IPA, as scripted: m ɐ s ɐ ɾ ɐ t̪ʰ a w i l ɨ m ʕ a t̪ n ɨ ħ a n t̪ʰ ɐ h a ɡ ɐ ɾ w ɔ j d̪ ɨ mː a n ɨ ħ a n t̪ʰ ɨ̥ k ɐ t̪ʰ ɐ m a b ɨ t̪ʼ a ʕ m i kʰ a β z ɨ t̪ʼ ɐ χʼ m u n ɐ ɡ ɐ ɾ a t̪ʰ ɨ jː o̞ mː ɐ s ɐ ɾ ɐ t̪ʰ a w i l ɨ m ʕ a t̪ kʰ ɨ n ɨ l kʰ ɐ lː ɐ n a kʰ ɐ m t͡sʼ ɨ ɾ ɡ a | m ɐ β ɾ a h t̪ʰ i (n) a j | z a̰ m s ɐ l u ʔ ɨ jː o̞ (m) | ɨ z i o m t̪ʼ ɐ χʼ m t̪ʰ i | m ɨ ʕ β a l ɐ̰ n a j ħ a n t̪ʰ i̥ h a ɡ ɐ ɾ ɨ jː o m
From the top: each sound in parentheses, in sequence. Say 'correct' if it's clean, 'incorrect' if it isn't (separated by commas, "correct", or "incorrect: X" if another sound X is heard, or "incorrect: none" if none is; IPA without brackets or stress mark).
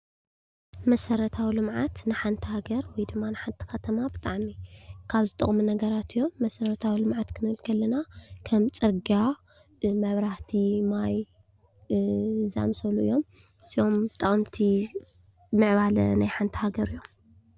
incorrect: m, correct